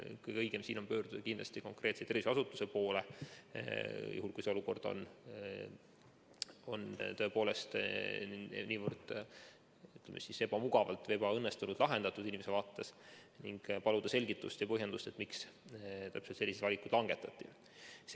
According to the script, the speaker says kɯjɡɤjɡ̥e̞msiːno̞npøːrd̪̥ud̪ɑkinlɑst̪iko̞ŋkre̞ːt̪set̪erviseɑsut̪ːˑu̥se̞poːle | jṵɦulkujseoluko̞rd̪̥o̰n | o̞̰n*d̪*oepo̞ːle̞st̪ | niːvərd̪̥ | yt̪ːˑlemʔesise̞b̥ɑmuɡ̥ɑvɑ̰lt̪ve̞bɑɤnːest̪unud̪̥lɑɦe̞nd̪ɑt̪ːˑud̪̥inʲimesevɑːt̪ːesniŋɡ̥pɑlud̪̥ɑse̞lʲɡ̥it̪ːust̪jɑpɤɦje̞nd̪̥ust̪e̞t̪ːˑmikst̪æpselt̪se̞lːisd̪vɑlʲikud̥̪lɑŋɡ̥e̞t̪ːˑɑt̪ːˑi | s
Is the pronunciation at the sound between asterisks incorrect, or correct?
incorrect